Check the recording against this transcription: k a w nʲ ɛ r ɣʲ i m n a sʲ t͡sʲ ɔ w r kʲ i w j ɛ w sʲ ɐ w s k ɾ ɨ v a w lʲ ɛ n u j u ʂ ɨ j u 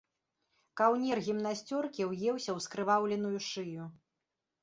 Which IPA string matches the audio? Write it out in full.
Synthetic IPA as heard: k a w nʲ ɛ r ɣʲ i m n a sʲ t͡sʲ ɔ r kʲ i w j ɛ w sʲ ɐ w s k ɾ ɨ v a w lʲ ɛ n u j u ʂ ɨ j u